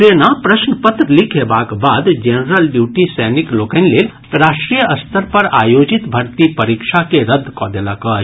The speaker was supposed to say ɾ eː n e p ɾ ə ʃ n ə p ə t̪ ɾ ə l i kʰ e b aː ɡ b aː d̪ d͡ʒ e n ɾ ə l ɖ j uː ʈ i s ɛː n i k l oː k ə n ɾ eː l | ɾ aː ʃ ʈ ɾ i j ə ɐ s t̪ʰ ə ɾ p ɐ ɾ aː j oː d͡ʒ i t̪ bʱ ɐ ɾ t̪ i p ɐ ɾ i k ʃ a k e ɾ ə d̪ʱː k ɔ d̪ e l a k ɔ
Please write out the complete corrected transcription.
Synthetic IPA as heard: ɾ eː n a p ɾ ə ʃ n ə p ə t̪ ɾ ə l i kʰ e b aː k b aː d̪ d͡ʒ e n ɾ ə l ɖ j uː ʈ i s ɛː n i k l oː k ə n l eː l | ɾ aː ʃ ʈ ɾ i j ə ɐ s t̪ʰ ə ɾ p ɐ ɾ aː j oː d͡ʒ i t̪ bʱ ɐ ɾ t̪ i p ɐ ɾ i k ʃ a k e ɾ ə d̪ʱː k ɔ d̪ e l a k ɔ

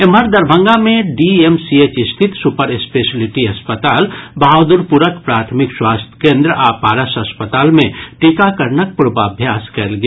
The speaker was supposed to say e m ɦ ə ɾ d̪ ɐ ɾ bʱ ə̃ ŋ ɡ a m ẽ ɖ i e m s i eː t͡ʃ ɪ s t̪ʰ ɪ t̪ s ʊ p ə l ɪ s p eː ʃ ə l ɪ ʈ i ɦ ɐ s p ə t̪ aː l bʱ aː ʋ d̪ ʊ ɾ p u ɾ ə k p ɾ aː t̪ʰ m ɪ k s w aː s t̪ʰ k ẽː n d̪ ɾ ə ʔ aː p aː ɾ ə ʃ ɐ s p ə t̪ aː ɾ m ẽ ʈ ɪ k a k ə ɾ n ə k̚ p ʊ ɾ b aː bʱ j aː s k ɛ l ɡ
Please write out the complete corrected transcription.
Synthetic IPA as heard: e m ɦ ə ɾ d̪ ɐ ɾ bʱ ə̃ ŋ ɡ a m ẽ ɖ i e m s i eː t͡ʃ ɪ s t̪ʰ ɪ t̪ s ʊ p ə ɾ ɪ s p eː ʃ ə l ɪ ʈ i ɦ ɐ s p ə t̪ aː l bʱ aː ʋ d̪ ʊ ɾ p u ɾ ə k p ɾ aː t̪ʰ m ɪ k s w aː s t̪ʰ k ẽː n d̪ ɾ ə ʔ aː p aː ɾ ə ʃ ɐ s p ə t̪ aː l m ẽ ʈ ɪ k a k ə ɾ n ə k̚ p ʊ ɾ b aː bʱ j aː s k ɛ l ɡ

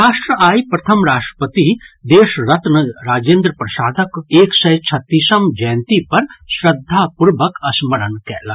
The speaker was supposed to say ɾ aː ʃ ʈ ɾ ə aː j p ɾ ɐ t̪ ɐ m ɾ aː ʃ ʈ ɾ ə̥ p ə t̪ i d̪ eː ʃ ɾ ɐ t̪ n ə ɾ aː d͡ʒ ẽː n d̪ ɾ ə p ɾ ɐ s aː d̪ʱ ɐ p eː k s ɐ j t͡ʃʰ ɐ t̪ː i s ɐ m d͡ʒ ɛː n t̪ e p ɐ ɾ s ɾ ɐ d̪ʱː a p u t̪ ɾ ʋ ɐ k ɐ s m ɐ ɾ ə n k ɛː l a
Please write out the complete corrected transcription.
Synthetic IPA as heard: ɾ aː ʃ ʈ ɾ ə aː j p ɾ ɐ t̪ʰ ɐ m ɾ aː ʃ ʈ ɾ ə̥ p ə t̪ i d̪ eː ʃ ɾ ɐ t̪ n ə ɾ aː d͡ʒ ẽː n d̪ ɾ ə p ɾ ɐ s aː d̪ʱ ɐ k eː k s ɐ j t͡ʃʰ ɐ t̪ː i s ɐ m d͡ʒ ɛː n t̪ i p ɐ ɾ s ɾ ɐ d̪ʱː a p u ɾ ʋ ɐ k ɐ s m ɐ ɾ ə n k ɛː l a

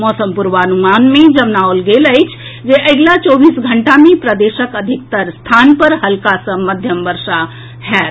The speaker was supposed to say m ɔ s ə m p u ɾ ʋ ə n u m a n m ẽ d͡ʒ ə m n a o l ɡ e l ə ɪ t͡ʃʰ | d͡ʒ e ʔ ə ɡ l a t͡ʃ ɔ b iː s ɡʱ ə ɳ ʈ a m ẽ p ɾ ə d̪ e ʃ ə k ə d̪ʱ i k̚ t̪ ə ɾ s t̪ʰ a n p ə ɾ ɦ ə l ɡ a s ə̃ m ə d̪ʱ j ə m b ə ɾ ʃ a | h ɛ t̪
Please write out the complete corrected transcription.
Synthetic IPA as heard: m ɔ s ə m p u ɾ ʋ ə n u m a n m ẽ d͡ʒ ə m n a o l ɡ e l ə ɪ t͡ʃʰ | d͡ʒ e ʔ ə ɡ l a t͡ʃ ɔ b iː s ɡʱ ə ɳ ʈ a m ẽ p ɾ ə d̪ e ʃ ə k ə d̪ʱ i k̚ t̪ ə ɾ s t̪ʰ a n p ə ɾ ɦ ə l k a s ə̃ m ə d̪ʱ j ə m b ə ɾ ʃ a | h ɛ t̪

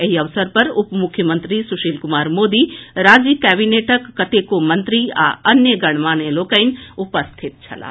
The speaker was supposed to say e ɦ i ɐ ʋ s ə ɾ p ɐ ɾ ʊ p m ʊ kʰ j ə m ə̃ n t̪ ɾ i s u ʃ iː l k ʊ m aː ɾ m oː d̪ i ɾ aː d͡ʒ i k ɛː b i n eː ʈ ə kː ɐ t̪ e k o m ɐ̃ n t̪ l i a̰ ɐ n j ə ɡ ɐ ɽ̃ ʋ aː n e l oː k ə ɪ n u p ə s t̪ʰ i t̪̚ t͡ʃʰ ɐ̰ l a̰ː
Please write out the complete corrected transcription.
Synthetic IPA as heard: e ɦ i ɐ ʋ s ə ɾ p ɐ ɾ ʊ p m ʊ kʰ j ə m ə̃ n t̪ ɾ i s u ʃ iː l k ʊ m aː ɾ m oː d̪ i ɾ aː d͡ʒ i k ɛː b i n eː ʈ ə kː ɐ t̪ e k o m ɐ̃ n t̪ ɾ i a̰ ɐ n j ə ɡ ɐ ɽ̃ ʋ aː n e l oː k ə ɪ n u p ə s t̪ʰ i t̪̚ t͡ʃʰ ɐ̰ l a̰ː

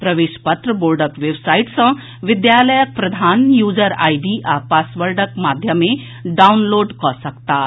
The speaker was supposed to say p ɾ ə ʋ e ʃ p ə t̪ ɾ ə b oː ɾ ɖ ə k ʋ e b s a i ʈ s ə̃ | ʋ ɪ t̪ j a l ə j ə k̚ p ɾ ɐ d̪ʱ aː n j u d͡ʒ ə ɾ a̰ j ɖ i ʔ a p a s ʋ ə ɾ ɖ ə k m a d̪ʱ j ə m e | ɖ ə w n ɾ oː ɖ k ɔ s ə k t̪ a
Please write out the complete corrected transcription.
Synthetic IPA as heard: p ɾ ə ʋ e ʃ p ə t̪ ɾ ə b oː ɾ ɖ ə k ʋ e b s a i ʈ s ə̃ | ʋ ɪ d̪ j a l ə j ə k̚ p ɾ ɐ d̪ʱ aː n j u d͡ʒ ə ɾ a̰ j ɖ i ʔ a p a s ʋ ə ɾ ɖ ə k m a d̪ʱ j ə m e | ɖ a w n l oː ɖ k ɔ s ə k t̪ a

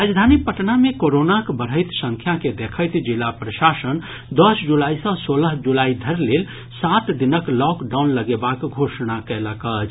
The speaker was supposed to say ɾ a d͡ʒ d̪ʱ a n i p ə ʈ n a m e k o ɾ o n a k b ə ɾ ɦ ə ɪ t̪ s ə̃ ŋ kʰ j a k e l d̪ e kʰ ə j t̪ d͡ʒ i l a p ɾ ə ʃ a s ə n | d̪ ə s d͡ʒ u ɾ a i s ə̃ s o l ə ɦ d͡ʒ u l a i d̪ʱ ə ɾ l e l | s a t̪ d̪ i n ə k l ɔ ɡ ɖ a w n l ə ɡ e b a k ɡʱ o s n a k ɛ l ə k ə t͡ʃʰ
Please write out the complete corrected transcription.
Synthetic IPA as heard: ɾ a d͡ʒ d̪ʱ a n i p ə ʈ n a m e k o ɾ o n a k b ə ɾ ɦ ə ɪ t̪ s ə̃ ŋ kʰ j a k e d̪ e kʰ ə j t̪ d͡ʒ i l a p ɾ ə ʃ a s ə n | d̪ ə s d͡ʒ u l a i s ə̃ s o l ə ɦ d͡ʒ u l a i d̪ʱ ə ɾ l e l | s a t̪ d̪ i n ə k l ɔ k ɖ a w n l ə ɡ e b a k ɡʱ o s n a k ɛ l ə k ə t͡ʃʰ

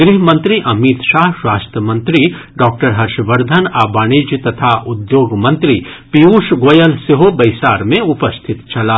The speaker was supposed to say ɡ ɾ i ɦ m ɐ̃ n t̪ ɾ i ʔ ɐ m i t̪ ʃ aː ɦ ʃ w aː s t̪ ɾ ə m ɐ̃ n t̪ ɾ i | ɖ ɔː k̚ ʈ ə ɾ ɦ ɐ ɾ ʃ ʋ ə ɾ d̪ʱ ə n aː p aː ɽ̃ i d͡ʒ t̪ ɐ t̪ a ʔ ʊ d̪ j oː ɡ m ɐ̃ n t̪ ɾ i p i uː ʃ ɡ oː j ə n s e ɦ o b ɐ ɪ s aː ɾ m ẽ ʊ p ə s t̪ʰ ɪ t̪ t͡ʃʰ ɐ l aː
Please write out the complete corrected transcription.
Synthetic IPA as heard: ɡ ɾ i ɦ m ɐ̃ n t̪ ɾ i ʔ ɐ m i t̪ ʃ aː ɦ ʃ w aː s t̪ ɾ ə m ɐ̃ n t̪ ɾ i | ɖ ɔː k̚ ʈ ə ɾ ɦ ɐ ɾ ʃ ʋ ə ɾ d̪ʱ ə n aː b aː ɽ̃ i d͡ʒ t̪ ɐ t̪ʰ a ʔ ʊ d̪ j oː ɡ m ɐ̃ n t̪ ɾ i p i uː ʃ ɡ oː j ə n s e ɦ o b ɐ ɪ s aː ɾ m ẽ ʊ p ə s t̪ʰ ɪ t̪ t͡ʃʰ ɐ l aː

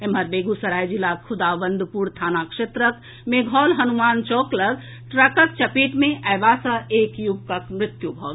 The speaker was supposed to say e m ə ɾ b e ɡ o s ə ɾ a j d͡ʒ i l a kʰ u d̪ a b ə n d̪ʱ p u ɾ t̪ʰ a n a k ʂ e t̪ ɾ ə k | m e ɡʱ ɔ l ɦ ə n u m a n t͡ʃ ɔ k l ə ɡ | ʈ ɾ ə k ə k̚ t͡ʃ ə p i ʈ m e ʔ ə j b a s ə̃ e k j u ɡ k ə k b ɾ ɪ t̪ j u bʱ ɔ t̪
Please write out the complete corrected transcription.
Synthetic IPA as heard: e m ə ɾ b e ɡ u s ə ɾ a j d͡ʒ i l a kʰ u d̪ a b ə n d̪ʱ p u ɾ t̪ʰ a n a k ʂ e t̪ ɾ ə k | m e ɡʱ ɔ l ɦ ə n u m a n t͡ʃ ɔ k l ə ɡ | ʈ ɾ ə k ə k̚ t͡ʃ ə p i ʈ m e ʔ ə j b a s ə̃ e k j u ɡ k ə k m ɾ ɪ t̪ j u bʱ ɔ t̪

